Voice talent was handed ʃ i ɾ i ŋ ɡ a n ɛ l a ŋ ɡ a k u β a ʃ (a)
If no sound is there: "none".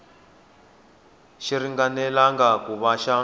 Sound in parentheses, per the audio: a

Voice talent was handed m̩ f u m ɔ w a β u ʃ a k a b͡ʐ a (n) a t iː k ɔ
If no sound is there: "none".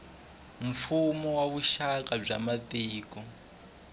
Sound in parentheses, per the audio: m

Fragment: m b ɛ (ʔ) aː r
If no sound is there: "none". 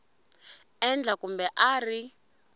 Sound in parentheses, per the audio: ʔ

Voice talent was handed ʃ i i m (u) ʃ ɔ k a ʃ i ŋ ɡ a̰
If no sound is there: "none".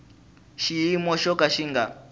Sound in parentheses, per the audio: ɔ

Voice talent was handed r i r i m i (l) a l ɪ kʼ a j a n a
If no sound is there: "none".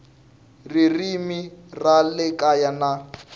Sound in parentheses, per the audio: r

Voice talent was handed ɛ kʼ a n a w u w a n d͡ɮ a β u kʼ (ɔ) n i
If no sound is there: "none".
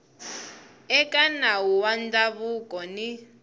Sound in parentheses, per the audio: ɔ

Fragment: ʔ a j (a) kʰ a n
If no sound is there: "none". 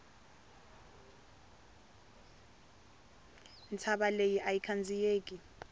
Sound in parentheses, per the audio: i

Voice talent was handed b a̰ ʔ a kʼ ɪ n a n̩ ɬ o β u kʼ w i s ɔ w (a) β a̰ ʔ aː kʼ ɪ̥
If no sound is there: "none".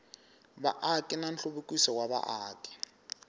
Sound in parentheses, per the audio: a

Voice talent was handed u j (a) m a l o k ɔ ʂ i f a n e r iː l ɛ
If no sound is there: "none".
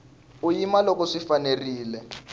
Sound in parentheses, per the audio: i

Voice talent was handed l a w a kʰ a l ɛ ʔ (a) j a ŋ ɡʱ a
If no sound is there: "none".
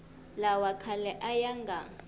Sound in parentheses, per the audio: a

